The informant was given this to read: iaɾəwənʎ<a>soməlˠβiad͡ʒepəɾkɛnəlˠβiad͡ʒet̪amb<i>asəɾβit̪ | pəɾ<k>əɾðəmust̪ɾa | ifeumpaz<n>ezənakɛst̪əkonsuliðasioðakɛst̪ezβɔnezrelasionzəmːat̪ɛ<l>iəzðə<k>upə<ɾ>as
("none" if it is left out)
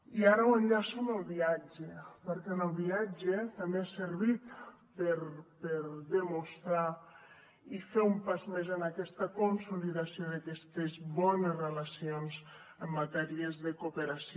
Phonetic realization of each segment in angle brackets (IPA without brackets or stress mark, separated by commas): a, e, p, m, ɾ, k, ɾ